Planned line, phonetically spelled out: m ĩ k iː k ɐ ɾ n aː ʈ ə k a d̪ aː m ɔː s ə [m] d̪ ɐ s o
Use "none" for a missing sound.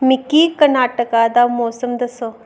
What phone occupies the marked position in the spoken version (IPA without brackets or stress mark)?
m